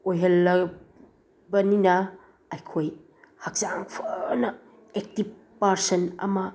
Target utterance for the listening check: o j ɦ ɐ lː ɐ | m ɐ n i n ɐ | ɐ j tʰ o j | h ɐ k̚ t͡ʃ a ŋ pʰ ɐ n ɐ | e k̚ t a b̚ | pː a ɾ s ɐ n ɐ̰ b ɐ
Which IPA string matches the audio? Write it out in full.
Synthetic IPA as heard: o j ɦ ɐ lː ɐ | b ɐ n i n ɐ | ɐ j kʰ o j | h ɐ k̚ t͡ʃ a ŋ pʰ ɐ n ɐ | e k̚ t i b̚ | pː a ɾ s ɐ n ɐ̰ m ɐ